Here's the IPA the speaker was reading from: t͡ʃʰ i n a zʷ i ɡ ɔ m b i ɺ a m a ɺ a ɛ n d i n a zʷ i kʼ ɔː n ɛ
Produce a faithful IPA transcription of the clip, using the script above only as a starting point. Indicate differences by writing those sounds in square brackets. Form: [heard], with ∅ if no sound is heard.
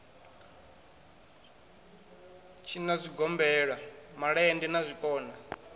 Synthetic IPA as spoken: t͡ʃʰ i n a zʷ i ɡ ɔ m b [ɛ] ɺ a m a ɺ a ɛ n d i n a zʷ i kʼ ɔː n [a]